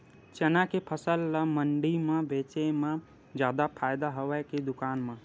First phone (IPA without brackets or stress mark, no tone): t͡ʃ